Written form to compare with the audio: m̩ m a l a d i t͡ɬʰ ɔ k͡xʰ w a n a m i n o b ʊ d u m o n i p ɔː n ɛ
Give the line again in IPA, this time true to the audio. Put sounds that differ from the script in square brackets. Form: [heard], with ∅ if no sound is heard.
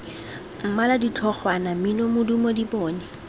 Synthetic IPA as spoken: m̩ m a l a d i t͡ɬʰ ɔ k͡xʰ w a n a m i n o [m] ʊ d u m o [d] i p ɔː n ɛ